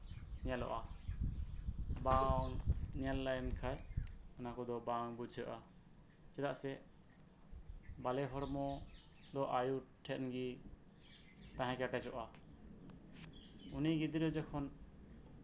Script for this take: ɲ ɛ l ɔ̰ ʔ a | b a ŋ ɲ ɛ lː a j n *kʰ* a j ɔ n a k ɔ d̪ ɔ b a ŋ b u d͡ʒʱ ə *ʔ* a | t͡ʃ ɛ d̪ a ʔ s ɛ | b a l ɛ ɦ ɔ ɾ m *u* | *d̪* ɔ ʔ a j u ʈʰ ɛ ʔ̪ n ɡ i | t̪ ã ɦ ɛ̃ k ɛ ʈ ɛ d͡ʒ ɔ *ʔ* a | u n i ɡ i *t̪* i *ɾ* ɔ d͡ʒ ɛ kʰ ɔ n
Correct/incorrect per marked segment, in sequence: correct, correct, incorrect: ɔ, correct, correct, incorrect: d̪, correct

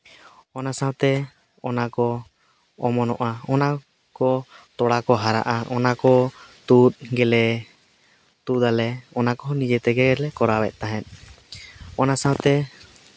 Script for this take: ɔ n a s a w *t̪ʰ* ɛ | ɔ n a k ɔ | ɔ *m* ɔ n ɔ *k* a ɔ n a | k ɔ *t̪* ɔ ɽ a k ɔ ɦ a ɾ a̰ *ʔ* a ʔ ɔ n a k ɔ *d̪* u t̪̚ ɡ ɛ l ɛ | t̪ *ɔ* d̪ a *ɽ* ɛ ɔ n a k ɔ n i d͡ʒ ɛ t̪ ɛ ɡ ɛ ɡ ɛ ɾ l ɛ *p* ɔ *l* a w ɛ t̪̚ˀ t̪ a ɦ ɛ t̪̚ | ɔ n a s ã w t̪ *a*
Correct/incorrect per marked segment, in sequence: incorrect: t̪, correct, incorrect: ʔ, correct, correct, incorrect: t̪, incorrect: u, incorrect: l, incorrect: k, incorrect: ɾ, incorrect: ɛ

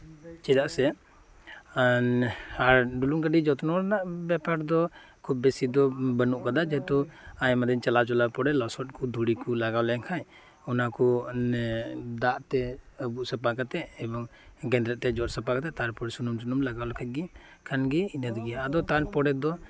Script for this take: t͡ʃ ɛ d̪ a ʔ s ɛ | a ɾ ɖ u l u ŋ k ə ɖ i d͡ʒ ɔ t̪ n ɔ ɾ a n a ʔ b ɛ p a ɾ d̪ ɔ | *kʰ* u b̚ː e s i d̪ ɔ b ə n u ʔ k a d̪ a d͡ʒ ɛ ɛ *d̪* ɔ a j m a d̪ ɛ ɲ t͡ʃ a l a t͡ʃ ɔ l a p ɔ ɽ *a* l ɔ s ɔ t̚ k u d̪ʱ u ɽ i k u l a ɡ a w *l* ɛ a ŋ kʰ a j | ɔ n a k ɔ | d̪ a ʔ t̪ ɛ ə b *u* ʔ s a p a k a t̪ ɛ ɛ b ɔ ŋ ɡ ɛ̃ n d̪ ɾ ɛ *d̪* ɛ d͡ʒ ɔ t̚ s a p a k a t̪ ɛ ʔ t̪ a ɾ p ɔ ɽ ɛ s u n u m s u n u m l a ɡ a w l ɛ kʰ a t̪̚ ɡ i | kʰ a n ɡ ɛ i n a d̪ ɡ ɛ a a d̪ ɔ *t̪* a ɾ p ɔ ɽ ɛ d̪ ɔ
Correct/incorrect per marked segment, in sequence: correct, incorrect: t̪, incorrect: ɛ, correct, correct, incorrect: t̪, correct

